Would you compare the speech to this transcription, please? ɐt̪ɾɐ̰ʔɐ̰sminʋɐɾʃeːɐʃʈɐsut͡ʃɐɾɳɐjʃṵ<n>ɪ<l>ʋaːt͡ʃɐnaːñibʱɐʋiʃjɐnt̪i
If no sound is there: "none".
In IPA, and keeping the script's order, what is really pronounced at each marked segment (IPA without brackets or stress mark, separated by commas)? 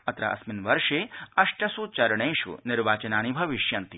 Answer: n, ɾ